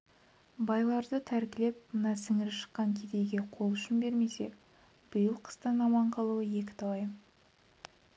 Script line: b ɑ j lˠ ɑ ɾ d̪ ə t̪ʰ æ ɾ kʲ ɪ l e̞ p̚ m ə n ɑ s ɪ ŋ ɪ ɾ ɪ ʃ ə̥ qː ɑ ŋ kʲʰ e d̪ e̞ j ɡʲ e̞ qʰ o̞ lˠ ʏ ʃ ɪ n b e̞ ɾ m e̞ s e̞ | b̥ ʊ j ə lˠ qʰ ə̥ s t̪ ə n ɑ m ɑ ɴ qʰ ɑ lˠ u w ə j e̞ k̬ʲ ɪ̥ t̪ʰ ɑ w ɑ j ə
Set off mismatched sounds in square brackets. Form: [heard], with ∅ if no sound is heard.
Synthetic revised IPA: b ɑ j lˠ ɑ ɾ d̪ ə t̪ʰ æ ɾ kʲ ɪ l e̞ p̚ m ə n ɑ s ɪ ŋ ɪ ɾ ɪ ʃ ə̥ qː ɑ ŋ kʲʰ e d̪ e̞ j ɡʲ e̞ qʰ o̞ lˠ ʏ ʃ ɪ n b e̞ ɾ m e̞ s e̞ | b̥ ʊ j ə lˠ qʰ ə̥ s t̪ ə n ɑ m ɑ ɴ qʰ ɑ lˠ u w ə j e̞ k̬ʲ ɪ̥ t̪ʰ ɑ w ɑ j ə